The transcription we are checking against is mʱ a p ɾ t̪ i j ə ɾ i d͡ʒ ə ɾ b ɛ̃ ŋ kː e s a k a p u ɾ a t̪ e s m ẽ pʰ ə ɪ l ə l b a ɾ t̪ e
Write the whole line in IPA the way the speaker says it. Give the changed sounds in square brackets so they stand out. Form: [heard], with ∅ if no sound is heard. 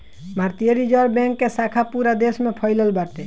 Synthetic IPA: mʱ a [∅] ɾ t̪ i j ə ɾ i d͡ʒ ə ɾ b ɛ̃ ŋ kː e s a [kʰ] a p u ɾ a [d̪] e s m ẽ pʰ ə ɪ l ə l b a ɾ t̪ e